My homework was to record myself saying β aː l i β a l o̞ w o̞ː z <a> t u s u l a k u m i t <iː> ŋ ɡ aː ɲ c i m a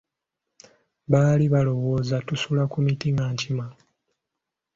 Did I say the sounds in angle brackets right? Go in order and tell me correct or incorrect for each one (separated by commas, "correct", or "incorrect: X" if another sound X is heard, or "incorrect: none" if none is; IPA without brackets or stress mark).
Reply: correct, incorrect: i